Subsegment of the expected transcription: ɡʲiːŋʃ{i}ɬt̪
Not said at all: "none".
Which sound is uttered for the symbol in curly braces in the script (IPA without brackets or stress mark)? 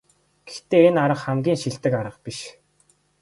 i